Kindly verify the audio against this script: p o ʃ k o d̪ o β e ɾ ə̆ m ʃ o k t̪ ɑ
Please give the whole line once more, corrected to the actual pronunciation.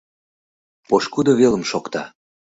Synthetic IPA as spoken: p o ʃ k u d̪ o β e l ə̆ m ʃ o k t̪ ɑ